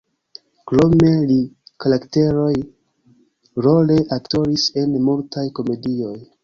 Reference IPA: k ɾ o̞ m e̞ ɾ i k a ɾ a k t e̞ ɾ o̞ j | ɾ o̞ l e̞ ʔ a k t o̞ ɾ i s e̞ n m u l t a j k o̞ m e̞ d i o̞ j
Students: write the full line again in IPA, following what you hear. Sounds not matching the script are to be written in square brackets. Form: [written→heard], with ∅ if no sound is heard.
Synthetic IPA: k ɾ o̞ m e̞ [ɾ→l] i k a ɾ a k t e̞ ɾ o̞ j | ɾ o̞ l e̞ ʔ a k t o̞ ɾ i s e̞ n m u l t a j k o̞ m e̞ d i o̞ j